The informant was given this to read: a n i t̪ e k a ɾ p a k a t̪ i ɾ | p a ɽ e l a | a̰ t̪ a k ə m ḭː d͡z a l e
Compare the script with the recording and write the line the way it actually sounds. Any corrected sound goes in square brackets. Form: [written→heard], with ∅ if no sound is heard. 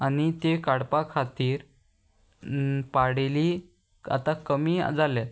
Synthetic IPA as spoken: a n i t̪ e k a [ɾ→ɽ] p a [k→kʰ] a t̪ [i→iː] ɾ | p a ɽ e l [a→i] | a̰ t̪ a k ə m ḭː d͡z a l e